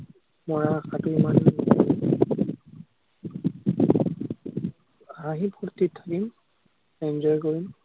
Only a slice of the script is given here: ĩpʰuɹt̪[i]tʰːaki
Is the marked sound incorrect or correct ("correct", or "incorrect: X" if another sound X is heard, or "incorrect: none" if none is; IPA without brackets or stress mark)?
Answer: correct